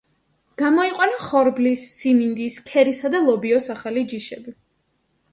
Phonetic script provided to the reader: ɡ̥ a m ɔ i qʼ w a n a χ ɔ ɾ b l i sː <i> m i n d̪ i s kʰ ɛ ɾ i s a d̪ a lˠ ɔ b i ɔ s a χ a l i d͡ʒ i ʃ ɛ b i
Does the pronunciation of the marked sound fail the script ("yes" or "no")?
no